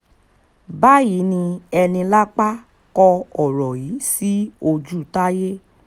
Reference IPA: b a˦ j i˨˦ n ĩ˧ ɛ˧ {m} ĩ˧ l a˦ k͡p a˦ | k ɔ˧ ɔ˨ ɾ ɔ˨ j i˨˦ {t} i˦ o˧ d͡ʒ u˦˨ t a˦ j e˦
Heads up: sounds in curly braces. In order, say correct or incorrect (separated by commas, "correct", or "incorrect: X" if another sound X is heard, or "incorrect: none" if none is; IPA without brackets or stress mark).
incorrect: n, incorrect: s